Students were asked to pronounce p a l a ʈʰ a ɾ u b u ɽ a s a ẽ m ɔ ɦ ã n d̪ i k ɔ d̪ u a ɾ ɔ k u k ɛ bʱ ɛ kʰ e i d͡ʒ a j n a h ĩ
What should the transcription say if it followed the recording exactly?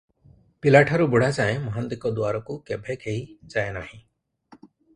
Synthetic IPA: p i l a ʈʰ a ɾ u b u ɽ a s a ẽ m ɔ ɦ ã n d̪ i k ɔ d̪ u a ɾ ɔ k u k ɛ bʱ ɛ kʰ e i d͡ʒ a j n a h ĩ